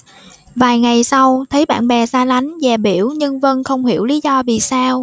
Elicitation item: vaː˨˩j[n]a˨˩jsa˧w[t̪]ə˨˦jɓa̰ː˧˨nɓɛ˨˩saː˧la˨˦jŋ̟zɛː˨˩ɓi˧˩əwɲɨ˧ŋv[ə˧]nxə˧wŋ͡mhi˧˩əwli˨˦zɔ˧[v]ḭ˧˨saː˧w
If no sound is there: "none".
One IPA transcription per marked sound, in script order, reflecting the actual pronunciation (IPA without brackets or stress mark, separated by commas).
ŋ, t̪ʰ, ə˧, v